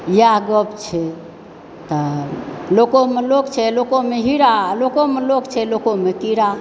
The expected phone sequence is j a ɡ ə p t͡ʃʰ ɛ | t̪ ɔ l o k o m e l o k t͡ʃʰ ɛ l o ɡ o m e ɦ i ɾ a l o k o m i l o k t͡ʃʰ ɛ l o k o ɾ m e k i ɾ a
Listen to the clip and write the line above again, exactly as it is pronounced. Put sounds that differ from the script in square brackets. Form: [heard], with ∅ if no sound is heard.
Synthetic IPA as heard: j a ɡ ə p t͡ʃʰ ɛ | t̪ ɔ l o k o m e l o k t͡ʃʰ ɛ l o [k] o m e ɦ i ɾ a l o k o m [e] l o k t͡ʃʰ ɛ l o k o [∅] m e k i ɾ a